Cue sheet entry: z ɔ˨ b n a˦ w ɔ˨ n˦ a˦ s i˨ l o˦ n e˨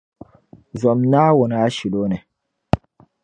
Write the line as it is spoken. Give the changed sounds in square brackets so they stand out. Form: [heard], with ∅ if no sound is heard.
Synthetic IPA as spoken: z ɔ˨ [m] n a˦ w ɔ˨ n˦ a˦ [ʃ] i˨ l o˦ n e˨